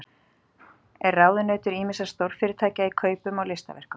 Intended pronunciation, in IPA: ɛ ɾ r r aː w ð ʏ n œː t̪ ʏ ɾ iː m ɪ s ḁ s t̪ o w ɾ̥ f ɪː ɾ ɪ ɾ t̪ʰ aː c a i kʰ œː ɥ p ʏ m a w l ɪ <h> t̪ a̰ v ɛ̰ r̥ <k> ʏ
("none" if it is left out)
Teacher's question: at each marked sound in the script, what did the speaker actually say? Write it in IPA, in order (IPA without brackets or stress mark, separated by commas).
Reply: s, k